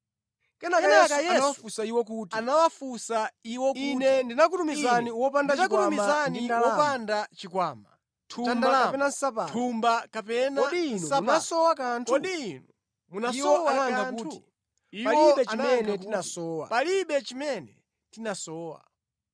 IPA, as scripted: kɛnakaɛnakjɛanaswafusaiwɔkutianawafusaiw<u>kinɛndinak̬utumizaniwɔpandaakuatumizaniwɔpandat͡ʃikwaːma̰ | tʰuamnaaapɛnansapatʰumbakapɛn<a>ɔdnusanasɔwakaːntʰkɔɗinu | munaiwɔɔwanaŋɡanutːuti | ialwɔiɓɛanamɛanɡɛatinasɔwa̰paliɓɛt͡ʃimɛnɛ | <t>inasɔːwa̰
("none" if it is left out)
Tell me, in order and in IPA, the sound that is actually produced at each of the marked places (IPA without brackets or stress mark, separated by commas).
ɔ, a, t